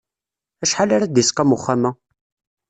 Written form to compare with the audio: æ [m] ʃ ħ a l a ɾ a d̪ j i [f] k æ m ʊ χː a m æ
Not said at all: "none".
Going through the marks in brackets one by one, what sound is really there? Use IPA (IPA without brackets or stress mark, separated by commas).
none, s